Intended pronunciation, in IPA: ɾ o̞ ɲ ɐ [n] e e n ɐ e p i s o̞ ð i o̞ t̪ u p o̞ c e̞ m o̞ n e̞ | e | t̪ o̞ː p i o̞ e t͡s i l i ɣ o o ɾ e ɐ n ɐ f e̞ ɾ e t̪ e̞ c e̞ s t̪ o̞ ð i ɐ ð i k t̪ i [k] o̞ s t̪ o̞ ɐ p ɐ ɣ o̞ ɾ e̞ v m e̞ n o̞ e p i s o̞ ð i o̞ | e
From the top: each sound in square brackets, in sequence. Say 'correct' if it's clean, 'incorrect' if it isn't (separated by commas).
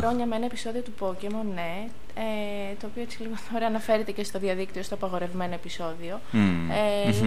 incorrect, incorrect